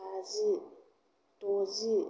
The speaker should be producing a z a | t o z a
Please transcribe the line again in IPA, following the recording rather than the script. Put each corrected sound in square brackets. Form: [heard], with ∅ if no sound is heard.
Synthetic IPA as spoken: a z [i] | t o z [i]